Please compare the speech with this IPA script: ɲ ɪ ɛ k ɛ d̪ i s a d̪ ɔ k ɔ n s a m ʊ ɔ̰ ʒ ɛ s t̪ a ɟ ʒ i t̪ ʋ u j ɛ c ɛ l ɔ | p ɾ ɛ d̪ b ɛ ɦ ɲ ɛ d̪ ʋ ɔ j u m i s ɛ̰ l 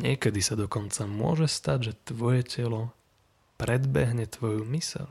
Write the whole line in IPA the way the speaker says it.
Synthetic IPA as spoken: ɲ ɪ ɛ k ɛ d̪ i s a d̪ ɔ k ɔ n t͡s a m ʊ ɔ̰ ʒ ɛ s t̪ a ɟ ʒ ɛ t̪ ʋ ɔ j ɛ c ɛ l ɔ | p ɾ ɛ d̪ b ɛ ɦ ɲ ɛ t̪ ʋ ɔ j u m i s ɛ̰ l